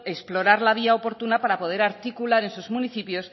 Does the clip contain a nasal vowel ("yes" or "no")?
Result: no